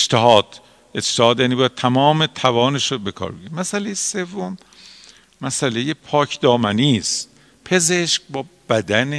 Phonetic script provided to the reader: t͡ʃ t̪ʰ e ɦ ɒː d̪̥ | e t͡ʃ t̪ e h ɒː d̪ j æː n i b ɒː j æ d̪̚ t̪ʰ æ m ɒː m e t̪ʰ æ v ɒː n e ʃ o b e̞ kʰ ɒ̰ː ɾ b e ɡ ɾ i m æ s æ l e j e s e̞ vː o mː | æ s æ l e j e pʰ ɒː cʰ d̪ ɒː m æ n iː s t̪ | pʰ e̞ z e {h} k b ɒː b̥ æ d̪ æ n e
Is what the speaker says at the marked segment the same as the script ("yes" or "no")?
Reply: no